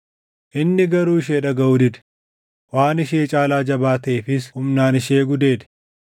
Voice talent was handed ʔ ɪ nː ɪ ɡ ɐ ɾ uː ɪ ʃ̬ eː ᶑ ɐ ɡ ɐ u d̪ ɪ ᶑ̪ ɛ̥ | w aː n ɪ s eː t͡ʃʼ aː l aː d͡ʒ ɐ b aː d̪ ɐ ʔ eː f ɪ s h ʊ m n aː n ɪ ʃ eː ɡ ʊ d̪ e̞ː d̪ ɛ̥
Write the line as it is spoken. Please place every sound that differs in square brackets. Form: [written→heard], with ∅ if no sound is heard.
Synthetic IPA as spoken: ʔ ɪ nː ɪ ɡ ɐ ɾ uː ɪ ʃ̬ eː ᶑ ɐ ɡ ɐ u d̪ ɪ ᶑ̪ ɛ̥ | w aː n ɪ [s→ʃ] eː t͡ʃʼ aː l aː d͡ʒ ɐ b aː [d̪→t̪] ɐ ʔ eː f ɪ s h ʊ m n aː n ɪ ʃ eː ɡ ʊ d̪ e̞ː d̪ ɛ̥